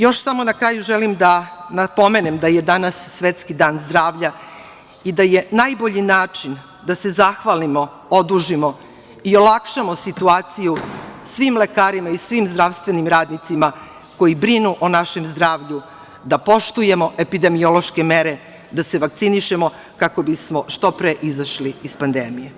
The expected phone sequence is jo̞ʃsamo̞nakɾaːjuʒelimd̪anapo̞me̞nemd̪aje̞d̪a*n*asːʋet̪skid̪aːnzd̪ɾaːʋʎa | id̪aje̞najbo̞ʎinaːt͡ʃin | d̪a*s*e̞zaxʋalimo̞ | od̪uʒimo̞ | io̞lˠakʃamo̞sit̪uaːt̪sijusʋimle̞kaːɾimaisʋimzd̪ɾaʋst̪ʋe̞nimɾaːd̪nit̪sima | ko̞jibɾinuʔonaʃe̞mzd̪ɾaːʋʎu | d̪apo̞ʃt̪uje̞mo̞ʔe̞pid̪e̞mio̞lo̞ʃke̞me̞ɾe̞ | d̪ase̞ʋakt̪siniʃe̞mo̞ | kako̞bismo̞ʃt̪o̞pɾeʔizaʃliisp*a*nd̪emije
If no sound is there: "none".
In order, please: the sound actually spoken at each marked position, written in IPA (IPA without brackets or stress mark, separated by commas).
n, s, a